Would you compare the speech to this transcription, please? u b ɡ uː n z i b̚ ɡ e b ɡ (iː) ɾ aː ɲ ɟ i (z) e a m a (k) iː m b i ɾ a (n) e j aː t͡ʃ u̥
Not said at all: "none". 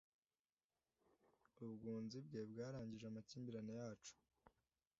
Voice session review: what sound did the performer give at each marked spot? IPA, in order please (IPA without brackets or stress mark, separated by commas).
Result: aː, ʒ, c, n